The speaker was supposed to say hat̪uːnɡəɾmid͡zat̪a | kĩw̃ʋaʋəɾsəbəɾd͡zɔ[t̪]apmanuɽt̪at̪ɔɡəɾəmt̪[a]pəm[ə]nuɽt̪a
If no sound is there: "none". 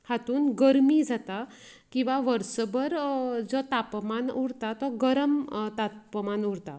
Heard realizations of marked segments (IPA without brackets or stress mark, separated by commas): t̪, a, a